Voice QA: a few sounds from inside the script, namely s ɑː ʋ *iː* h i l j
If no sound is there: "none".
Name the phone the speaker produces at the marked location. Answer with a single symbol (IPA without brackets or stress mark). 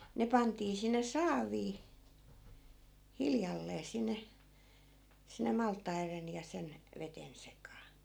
iː